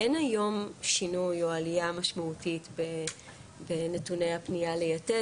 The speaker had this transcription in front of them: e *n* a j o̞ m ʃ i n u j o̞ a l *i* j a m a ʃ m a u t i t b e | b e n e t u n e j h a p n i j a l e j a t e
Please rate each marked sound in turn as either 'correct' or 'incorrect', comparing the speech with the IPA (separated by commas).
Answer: correct, correct